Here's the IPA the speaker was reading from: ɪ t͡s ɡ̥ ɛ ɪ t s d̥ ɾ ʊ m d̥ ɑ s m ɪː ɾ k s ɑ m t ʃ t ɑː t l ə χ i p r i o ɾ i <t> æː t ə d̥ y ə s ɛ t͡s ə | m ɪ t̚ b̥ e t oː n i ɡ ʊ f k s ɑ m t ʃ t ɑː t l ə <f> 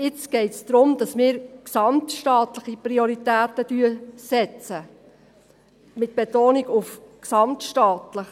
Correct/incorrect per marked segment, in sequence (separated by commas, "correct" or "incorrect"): correct, incorrect